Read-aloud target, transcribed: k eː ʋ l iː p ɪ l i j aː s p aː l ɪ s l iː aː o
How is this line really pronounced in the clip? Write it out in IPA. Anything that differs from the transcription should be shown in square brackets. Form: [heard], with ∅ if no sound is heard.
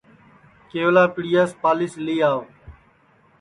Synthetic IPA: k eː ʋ l [aː] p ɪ [ɽ] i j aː s p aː l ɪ s l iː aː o

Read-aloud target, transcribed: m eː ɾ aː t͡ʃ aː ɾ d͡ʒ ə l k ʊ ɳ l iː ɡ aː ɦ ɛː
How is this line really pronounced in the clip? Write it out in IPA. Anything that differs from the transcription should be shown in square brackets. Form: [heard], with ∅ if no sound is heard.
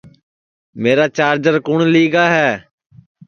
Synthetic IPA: m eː ɾ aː t͡ʃ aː ɾ d͡ʒ ə [ɾ] k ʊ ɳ l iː ɡ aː ɦ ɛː

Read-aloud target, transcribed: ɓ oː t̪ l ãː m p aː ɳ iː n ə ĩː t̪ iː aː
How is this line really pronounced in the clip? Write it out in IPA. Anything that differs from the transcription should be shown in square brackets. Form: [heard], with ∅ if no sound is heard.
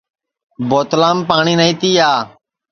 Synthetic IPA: [b] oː t̪ l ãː m p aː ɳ iː n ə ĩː t̪ iː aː

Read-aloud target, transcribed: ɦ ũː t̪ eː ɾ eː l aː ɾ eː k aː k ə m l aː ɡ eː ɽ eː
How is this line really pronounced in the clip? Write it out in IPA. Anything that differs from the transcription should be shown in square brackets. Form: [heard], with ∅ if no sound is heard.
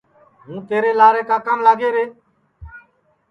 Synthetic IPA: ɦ ũː t̪ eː ɾ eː l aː ɾ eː k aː k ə m l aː ɡ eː [ɾ] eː

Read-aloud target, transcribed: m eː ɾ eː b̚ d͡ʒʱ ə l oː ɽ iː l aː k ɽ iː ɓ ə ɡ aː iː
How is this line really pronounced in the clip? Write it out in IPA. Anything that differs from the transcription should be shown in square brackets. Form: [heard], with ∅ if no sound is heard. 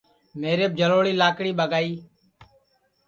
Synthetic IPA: m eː ɾ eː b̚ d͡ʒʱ ə l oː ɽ iː l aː k ɽ iː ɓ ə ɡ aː iː

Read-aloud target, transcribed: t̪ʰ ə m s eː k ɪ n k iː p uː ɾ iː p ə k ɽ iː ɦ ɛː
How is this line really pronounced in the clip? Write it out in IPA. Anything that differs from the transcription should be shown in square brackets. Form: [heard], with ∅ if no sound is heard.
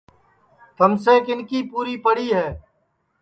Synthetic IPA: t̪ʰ ə m s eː k ɪ n k iː p uː ɾ iː p ə [∅] ɽ iː ɦ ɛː

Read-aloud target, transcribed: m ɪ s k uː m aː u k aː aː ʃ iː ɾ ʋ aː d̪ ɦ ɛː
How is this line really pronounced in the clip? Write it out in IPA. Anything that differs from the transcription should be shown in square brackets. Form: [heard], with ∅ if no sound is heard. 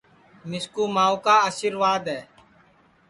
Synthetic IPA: m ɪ s k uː m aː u k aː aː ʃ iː ɾ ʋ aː d̪ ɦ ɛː

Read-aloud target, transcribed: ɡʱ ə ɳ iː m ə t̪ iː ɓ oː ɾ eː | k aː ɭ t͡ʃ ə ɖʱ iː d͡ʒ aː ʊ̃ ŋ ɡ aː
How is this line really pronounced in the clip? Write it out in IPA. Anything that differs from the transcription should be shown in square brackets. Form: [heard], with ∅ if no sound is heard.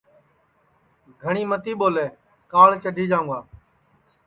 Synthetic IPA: ɡʱ ə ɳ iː m ə t̪ iː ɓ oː [l] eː | k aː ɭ t͡ʃ ə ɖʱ iː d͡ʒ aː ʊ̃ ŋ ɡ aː

